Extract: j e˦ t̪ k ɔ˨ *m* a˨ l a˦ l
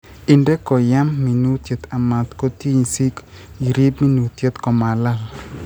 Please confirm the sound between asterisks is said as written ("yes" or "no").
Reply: yes